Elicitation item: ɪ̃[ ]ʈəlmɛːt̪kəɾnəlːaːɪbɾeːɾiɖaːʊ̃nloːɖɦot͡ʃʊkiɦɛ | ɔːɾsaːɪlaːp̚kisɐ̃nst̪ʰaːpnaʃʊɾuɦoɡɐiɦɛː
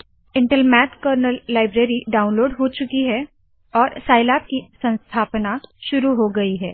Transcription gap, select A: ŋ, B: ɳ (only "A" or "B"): B